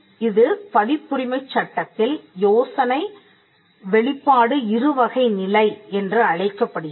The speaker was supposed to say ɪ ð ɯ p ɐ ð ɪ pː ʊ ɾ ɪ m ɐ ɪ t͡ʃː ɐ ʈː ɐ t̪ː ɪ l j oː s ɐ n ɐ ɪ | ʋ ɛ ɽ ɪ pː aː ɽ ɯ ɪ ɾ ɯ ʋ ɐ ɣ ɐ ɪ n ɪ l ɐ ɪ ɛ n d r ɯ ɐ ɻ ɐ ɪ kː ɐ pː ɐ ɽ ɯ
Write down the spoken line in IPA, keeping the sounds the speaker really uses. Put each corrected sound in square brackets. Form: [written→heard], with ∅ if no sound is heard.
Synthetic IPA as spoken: ɪ ð ɯ p ɐ ð ɪ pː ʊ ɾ ɪ m ɐ ɪ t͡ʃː ɐ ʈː ɐ t̪ː ɪ l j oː s ɐ n ɐ ɪ | ʋ ɛ [ɽ→ɭ] ɪ pː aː ɽ ɯ ɪ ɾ ɯ ʋ ɐ ɣ ɐ ɪ n ɪ l ɐ ɪ ɛ n d r ɯ ɐ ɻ ɐ ɪ kː ɐ pː ɐ ɽ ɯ